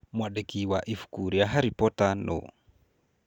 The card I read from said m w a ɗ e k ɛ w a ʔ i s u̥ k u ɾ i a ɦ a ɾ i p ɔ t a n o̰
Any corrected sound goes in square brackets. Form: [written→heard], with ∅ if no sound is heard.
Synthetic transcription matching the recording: m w a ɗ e k [ɛ→i] w a ʔ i [s→f] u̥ k u ɾ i a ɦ a ɾ i p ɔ t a n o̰